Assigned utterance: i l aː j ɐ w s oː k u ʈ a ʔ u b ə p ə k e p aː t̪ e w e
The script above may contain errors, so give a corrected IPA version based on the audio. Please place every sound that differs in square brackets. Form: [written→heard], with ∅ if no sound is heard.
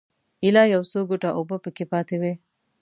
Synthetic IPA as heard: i l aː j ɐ w s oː [k→ɡ] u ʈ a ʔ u b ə p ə k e p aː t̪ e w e